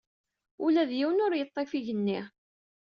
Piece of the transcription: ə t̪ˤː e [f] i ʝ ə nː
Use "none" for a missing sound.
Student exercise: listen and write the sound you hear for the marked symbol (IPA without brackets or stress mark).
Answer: f